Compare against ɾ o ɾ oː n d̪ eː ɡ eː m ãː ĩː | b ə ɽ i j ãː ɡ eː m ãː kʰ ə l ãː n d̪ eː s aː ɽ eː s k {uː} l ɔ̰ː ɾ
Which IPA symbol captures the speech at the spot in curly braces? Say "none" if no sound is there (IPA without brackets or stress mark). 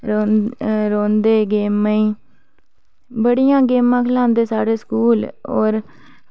uː